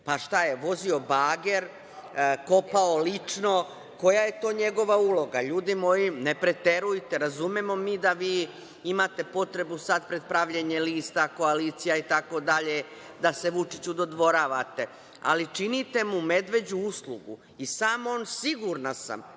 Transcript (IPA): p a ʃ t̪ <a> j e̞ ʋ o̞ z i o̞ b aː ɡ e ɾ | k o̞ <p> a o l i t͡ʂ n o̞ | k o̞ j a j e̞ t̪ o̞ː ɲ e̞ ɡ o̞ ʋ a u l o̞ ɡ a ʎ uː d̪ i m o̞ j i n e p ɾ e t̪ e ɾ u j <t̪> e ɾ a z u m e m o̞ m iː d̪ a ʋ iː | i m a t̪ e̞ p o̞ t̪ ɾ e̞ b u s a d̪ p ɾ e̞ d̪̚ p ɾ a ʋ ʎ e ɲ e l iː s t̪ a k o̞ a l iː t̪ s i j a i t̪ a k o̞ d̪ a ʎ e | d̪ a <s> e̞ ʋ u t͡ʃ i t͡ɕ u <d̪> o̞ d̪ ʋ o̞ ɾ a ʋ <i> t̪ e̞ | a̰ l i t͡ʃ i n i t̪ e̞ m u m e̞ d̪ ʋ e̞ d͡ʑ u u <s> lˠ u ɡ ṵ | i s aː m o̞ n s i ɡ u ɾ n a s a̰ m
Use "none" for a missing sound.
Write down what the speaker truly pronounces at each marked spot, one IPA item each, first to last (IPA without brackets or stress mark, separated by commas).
a, p, t̪, s, d̪, a, s